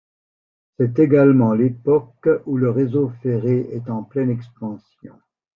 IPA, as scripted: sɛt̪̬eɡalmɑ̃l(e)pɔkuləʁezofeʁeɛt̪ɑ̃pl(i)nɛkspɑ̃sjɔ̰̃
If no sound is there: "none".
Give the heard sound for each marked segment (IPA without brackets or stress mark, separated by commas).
e, ɛ